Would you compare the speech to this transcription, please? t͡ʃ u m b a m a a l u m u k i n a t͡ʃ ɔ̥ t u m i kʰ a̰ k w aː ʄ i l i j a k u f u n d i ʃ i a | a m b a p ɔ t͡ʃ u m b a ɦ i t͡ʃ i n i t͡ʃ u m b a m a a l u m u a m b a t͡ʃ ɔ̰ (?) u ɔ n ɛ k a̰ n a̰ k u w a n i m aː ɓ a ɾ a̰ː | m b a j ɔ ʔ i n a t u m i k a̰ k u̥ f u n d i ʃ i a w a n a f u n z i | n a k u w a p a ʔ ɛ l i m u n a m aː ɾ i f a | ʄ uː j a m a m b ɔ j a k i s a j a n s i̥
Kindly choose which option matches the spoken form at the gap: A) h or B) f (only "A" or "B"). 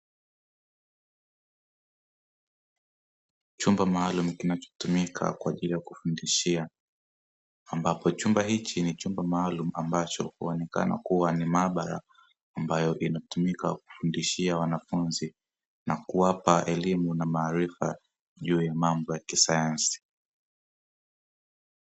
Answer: A